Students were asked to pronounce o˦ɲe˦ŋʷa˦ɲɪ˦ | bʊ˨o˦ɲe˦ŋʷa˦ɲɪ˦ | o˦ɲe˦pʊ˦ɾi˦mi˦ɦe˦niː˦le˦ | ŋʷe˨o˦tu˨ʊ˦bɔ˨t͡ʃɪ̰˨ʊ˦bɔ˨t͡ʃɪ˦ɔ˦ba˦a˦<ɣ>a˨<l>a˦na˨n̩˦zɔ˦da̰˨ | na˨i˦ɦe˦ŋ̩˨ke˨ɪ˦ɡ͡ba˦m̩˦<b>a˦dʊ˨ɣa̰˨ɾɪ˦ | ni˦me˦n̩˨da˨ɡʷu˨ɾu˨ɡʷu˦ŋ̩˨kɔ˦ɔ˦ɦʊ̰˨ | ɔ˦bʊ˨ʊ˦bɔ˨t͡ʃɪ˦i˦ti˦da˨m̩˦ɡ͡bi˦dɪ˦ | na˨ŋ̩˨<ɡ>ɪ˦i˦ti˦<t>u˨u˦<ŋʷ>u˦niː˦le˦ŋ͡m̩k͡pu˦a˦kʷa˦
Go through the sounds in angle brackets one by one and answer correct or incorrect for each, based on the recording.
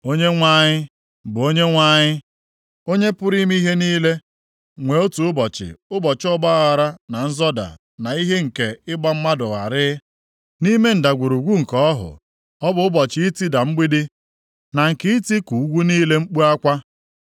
correct, incorrect: ɾ, incorrect: m, incorrect: k, incorrect: k, incorrect: ɡʷ

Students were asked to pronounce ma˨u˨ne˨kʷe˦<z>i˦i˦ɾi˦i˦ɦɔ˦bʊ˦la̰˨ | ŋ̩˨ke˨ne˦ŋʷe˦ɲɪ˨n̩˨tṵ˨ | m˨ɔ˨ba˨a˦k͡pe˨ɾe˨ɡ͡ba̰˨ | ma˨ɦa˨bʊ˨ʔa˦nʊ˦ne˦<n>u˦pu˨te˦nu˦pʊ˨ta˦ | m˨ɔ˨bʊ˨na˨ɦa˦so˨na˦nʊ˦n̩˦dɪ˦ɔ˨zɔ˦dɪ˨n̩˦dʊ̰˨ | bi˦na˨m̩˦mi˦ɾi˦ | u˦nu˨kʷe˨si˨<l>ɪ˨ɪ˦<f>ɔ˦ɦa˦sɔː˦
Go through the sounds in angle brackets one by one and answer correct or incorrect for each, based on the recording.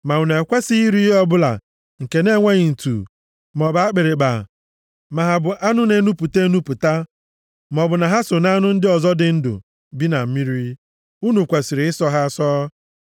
incorrect: s, correct, incorrect: ɾ, incorrect: s

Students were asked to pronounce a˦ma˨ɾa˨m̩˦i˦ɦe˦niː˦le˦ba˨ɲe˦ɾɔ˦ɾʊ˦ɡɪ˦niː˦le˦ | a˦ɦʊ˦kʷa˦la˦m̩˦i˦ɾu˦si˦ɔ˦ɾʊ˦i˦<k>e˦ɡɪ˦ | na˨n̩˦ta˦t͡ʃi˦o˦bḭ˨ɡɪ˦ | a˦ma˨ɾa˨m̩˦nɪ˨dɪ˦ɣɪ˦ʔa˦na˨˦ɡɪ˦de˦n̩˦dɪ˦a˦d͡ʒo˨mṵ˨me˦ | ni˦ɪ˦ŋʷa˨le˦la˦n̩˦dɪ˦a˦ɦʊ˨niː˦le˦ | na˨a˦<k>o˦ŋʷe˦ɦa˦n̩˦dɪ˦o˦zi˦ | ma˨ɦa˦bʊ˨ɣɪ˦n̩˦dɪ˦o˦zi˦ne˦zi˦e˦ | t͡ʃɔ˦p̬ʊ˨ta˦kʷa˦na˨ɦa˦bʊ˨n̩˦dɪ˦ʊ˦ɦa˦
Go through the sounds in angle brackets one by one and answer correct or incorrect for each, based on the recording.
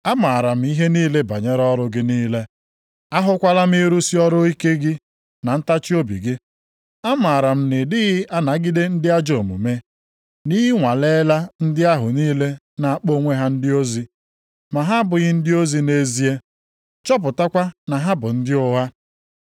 correct, incorrect: k͡p

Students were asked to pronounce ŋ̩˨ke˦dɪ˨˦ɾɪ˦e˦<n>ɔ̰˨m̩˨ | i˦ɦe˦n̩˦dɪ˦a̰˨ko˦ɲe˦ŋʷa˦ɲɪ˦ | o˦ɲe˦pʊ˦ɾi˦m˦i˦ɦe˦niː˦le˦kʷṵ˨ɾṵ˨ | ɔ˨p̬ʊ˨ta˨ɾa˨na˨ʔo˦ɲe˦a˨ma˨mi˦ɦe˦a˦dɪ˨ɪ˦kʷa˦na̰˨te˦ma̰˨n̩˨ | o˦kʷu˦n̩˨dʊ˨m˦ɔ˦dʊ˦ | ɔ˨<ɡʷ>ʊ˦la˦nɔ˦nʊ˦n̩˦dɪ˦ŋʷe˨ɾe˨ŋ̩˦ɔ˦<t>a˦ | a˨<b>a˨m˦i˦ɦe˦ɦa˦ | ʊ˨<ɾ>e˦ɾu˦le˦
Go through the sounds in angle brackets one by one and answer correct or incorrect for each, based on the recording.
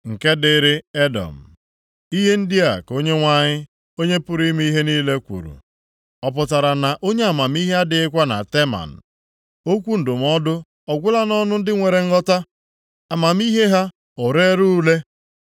incorrect: d, correct, correct, incorrect: m, correct

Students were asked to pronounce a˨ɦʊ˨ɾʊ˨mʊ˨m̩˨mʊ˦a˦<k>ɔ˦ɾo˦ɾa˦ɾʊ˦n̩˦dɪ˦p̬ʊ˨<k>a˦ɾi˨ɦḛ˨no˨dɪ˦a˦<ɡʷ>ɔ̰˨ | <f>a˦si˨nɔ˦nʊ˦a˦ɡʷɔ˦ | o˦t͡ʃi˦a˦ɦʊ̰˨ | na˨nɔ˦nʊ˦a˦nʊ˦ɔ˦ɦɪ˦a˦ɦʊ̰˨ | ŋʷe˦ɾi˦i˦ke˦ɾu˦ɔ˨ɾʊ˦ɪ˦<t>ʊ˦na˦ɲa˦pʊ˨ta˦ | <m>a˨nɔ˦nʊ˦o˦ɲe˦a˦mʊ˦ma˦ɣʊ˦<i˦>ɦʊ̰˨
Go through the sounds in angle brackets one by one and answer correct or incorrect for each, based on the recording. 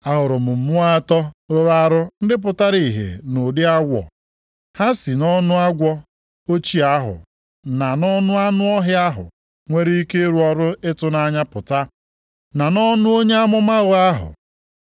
incorrect: t, incorrect: t, correct, incorrect: h, correct, incorrect: n, incorrect: a˦

